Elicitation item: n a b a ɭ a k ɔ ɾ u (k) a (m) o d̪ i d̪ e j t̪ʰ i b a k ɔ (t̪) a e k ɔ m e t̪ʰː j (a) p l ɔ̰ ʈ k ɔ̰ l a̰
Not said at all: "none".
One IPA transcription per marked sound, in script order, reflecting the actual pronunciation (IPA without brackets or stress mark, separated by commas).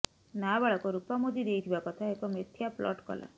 p, m, t̪ʰ, a